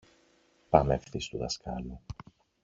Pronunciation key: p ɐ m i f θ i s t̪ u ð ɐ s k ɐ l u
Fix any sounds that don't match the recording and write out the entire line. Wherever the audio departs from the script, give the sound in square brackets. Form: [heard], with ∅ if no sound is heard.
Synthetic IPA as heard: p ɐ m [e] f θ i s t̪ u ð ɐ s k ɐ l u